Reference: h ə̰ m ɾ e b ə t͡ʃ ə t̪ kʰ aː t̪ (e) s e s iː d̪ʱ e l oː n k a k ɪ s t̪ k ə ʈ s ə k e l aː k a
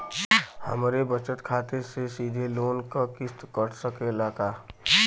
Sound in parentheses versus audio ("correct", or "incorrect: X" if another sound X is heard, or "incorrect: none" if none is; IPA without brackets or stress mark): correct